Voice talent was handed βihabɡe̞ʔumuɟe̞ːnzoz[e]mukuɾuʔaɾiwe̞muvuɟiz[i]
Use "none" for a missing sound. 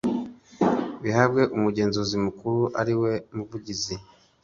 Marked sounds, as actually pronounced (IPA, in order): i, i

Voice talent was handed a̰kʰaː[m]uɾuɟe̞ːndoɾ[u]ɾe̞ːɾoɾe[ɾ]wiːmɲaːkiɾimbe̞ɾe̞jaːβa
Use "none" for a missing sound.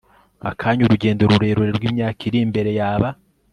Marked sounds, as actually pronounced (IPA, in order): ɲ, u, ɾ

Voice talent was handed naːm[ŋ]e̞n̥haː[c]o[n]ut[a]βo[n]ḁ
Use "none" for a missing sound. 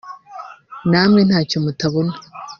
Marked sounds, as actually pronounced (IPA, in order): ŋ, c, m, a, n

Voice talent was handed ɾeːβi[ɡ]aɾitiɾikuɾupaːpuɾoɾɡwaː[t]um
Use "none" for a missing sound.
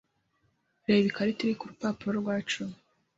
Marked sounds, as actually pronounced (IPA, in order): k, t͡ʃ

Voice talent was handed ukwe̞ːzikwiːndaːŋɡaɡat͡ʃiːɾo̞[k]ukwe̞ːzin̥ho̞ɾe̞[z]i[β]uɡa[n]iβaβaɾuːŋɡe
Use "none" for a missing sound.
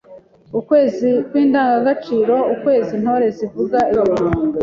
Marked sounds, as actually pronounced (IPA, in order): none, z, v, none

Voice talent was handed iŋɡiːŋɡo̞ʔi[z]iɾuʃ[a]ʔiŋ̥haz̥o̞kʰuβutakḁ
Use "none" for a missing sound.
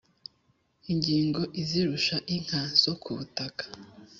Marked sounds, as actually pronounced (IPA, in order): z, a

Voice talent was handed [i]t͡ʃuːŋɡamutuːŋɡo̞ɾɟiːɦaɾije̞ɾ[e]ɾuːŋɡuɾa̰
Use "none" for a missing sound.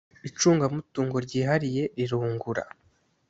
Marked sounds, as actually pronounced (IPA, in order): i, i

